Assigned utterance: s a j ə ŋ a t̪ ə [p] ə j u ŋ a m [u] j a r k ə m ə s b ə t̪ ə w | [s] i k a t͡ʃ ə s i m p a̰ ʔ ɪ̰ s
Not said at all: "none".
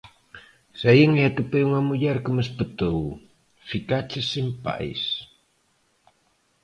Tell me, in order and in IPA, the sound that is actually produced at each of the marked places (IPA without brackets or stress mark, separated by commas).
p, u, f